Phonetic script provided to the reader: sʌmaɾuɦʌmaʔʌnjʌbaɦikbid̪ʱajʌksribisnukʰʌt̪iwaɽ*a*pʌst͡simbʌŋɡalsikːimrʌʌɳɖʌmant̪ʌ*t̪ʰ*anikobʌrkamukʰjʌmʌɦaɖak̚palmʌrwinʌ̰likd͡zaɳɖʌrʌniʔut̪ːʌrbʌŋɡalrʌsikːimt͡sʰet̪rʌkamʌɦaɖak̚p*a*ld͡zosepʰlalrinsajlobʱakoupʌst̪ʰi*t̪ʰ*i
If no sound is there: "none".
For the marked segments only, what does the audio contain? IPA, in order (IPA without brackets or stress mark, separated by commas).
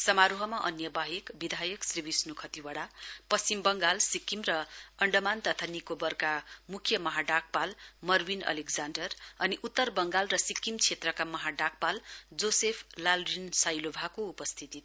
a, t̪ʰ, a, t̪